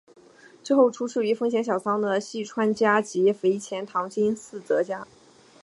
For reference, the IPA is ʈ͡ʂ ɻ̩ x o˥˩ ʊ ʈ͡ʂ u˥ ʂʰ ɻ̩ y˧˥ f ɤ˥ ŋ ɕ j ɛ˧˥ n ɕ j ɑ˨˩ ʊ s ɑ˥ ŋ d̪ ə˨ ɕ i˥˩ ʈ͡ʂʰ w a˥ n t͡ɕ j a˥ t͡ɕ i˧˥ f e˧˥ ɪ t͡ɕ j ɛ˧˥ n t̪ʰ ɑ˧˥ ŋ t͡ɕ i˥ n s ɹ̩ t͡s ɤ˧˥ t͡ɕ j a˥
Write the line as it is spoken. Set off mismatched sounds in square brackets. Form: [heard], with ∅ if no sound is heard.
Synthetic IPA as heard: ʈ͡ʂ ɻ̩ x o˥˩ ʊ [ʈ͡ʂʰ] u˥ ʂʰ ɻ̩ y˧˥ f ɤ˥ ŋ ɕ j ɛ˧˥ n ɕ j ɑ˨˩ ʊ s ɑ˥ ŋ d̪ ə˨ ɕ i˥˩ ʈ͡ʂʰ w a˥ n t͡ɕ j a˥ t͡ɕ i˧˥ f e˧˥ ɪ [t͡ɕʰ] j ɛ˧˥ n t̪ʰ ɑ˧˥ ŋ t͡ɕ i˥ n s ɹ̩ t͡s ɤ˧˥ t͡ɕ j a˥